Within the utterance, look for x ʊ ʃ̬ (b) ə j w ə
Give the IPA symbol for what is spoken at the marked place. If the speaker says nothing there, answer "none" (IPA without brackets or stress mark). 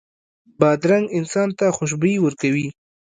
b